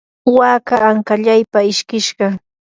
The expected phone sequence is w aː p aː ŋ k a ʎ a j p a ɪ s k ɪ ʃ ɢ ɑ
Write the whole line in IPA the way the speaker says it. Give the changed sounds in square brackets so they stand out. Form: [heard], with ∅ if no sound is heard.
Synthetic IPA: w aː [k] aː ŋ k a ʎ a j p a ɪ [ʃ] k ɪ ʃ ɢ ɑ